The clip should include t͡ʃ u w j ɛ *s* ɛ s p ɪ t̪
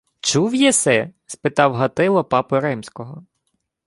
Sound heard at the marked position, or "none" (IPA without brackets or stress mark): s